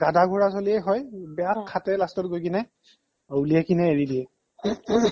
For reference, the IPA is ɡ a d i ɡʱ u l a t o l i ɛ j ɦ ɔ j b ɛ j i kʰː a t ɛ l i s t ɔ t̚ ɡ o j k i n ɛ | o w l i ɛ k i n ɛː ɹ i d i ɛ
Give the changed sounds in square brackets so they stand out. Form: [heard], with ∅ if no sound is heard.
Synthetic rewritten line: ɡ a d [a] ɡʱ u [ɹ] a [s] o l i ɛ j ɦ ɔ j b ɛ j [a] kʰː a t ɛ l [a] s t ɔ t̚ ɡ o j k i n ɛ | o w l i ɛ k i n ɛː ɹ i d i ɛ